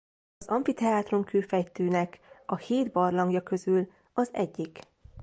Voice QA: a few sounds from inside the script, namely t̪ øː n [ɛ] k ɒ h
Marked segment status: correct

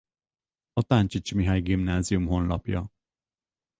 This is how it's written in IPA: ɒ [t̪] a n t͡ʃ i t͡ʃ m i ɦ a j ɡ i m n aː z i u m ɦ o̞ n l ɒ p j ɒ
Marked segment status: correct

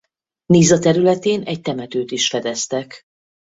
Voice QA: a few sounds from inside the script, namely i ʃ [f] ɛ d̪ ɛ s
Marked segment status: correct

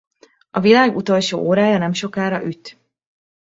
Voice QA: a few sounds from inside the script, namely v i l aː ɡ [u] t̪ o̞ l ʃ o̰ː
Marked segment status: correct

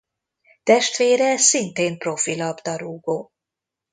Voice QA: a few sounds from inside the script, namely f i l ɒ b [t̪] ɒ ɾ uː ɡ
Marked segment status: incorrect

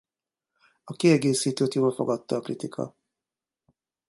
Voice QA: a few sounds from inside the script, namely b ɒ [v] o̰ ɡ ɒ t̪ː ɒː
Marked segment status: incorrect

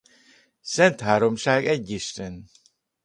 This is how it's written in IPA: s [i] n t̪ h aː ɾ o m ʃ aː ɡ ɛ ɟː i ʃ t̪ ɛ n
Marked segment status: incorrect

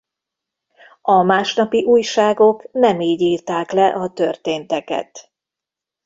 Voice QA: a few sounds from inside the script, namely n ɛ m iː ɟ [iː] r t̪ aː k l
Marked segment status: correct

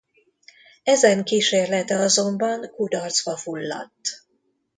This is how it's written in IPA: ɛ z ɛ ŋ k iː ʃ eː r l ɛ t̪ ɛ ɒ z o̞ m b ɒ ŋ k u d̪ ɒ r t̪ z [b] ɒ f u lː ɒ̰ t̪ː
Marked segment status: correct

